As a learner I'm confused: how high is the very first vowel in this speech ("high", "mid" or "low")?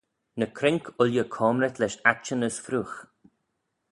mid